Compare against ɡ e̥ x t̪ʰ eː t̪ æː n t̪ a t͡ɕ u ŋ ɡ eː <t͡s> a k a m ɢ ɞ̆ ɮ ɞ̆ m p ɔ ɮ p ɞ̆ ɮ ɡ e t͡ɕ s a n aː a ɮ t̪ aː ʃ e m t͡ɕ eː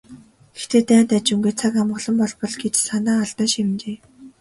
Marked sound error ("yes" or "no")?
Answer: yes